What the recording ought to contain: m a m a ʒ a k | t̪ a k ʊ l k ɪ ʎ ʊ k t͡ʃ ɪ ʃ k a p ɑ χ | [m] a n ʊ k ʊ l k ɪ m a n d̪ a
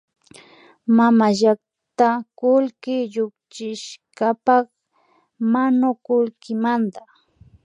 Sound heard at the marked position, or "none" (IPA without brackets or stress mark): m